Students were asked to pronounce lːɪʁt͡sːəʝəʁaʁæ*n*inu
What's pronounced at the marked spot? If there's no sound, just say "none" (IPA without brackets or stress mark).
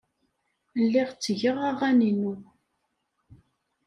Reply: n